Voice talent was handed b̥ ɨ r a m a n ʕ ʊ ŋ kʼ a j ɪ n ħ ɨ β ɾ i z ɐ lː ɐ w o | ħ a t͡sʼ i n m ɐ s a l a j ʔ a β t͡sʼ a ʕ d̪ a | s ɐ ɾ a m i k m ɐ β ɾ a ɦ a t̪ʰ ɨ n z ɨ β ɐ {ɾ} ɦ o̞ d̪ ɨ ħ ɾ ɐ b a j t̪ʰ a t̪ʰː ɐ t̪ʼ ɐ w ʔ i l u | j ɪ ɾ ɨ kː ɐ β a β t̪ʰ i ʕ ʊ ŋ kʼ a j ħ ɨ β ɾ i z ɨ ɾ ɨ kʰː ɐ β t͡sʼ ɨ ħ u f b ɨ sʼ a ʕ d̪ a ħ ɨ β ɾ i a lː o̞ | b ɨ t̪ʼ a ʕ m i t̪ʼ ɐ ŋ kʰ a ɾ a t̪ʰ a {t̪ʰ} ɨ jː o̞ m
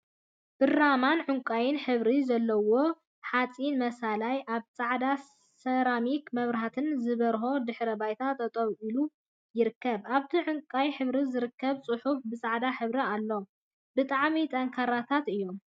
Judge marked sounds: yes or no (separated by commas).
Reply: yes, no